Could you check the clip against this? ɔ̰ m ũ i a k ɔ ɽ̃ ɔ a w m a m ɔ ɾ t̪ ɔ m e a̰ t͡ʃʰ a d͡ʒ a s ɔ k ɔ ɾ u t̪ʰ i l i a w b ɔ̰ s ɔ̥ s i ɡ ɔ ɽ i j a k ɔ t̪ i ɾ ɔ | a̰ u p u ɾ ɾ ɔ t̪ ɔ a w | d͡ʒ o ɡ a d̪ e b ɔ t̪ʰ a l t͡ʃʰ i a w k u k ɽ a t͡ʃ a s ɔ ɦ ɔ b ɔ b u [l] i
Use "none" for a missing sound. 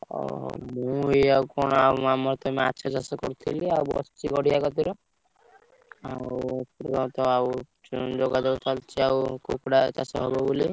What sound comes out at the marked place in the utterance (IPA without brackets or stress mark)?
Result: l